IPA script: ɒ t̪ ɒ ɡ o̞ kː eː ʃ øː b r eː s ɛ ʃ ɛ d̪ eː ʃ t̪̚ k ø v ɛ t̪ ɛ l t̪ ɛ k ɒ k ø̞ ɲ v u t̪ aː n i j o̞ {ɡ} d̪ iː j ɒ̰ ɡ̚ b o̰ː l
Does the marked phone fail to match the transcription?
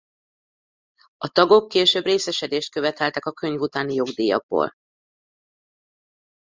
no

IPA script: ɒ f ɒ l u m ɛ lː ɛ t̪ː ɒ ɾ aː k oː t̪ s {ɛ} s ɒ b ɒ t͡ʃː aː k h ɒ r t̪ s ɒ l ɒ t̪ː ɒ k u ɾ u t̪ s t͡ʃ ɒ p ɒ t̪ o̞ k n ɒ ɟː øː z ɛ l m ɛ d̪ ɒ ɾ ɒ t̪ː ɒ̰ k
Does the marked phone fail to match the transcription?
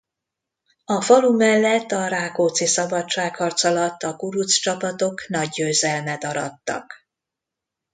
yes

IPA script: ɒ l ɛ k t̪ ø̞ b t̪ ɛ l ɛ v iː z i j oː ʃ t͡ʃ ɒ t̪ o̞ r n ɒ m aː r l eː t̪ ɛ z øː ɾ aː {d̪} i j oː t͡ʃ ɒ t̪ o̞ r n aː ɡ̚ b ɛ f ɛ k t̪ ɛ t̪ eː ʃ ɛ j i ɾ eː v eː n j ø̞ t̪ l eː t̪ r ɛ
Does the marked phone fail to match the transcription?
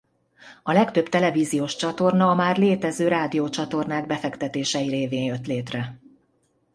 no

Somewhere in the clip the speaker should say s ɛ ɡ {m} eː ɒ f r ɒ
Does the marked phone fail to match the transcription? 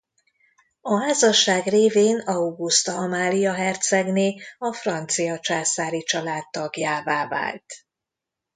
yes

